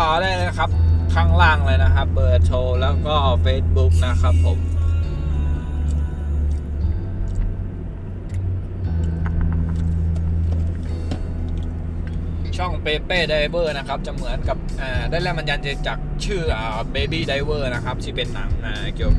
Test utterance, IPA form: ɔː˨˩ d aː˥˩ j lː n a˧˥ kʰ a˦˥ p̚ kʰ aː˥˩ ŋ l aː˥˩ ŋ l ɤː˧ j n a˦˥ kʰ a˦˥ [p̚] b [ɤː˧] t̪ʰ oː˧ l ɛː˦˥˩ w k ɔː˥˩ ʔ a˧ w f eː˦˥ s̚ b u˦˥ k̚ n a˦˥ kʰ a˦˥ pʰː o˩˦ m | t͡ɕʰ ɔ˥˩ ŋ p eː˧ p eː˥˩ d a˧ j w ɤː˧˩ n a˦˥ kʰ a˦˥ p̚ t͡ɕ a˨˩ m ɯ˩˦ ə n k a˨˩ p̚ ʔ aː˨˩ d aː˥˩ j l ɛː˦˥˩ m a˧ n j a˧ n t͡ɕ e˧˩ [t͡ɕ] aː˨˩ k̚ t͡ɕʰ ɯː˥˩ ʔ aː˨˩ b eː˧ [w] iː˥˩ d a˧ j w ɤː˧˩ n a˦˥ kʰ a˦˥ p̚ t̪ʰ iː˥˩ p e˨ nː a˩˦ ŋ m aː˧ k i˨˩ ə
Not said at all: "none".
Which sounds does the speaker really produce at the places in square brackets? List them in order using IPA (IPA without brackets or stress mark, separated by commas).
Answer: p̚, ɤː˨˩, t͡ɕ, b